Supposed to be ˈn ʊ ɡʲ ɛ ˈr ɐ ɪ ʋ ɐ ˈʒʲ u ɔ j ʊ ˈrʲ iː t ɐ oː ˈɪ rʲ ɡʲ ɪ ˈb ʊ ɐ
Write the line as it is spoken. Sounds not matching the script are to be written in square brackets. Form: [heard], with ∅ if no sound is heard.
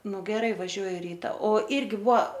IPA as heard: ˈn ʊ ɡʲ ɛ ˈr ɐ ɪ ʋ ɐ ˈʒʲ u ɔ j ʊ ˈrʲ iː t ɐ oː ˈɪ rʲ ɡʲ ɪ ˈb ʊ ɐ